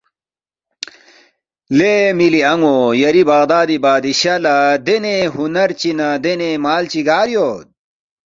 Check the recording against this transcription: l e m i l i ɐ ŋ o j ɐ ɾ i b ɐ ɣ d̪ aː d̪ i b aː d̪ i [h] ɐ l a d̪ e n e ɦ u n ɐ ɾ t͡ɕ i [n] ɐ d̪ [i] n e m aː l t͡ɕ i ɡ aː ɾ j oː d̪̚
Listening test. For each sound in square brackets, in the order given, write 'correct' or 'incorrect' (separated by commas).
incorrect, correct, incorrect